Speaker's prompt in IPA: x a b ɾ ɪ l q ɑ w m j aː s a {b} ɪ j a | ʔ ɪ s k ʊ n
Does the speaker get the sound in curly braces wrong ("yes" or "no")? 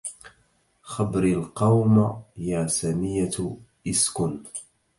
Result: yes